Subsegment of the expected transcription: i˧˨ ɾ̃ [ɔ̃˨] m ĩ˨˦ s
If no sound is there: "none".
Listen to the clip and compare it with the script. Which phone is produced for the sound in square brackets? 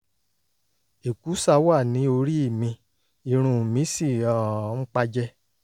ũ˨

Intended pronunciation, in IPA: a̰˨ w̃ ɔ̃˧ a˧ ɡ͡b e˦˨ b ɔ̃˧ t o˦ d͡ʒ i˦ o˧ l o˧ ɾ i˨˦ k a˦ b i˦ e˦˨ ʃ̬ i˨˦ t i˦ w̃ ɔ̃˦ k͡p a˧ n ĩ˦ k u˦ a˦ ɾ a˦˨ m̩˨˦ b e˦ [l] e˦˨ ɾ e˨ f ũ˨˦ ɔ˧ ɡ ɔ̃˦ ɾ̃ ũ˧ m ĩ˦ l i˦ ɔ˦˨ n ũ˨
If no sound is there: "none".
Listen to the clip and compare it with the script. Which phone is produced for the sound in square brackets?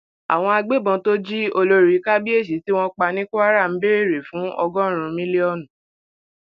ɾ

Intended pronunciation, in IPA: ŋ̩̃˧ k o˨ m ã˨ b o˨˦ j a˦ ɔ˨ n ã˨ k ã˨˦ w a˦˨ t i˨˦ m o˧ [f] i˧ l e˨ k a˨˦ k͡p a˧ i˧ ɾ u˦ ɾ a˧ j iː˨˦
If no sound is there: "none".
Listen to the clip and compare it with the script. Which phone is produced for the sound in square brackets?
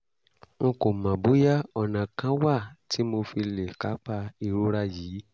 f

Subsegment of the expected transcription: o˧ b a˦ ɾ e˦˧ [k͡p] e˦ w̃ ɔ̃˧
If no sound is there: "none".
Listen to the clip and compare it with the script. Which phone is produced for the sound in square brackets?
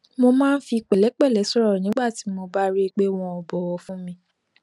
k͡p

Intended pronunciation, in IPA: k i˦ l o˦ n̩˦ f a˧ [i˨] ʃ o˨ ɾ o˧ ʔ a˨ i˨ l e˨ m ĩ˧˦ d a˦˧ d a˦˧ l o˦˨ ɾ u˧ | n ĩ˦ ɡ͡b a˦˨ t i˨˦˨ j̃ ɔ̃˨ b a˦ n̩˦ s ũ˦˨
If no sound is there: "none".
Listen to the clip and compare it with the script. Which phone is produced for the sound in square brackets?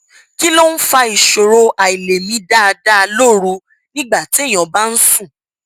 i˨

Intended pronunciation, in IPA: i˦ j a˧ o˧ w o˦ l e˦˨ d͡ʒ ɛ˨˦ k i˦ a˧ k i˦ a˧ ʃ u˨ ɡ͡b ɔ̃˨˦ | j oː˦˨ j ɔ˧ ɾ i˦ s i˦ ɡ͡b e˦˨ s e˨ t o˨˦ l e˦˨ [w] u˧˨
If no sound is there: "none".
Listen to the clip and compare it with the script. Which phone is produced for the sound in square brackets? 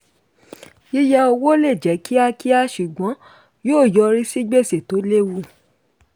w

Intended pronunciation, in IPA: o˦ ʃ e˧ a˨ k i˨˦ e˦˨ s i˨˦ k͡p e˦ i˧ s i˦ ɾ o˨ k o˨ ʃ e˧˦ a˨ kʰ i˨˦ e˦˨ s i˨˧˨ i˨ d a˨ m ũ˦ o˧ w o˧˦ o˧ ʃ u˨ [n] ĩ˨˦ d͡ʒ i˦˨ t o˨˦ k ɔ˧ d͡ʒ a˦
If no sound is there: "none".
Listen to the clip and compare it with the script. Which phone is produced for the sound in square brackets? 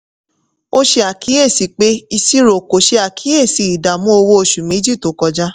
m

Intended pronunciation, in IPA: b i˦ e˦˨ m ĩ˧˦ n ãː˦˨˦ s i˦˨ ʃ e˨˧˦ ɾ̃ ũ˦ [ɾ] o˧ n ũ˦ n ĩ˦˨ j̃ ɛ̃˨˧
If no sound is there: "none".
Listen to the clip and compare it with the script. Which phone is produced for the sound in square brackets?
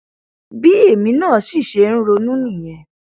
ɾ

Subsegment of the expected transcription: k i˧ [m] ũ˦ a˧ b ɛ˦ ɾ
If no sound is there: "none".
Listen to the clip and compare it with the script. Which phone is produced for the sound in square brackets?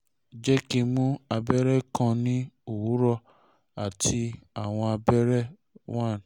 m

